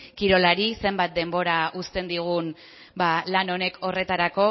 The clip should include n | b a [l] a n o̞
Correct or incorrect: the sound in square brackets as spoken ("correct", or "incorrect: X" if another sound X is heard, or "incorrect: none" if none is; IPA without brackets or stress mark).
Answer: correct